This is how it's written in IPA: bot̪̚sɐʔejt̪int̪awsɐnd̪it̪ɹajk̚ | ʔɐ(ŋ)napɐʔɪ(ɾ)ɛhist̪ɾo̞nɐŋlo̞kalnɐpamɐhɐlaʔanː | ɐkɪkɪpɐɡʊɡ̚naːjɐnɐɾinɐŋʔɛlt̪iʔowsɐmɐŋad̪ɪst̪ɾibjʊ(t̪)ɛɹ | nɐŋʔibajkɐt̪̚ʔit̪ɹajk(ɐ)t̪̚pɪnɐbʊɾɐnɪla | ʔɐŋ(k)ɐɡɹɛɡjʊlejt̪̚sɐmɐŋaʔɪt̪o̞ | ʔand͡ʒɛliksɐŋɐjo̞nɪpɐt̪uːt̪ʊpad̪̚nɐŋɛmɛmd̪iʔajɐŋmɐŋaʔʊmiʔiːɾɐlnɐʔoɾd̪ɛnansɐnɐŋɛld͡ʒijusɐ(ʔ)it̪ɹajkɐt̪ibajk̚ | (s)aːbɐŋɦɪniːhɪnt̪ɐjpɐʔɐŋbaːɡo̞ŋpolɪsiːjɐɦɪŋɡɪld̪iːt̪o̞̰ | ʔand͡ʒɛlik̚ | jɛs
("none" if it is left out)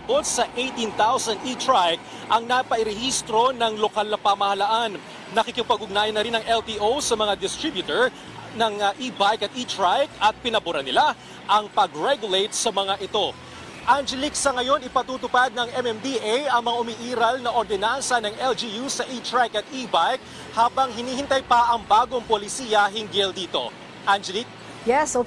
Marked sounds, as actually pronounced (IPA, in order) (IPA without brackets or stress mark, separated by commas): ŋ, ɾ, t̪, ɐ, p, ʔ, h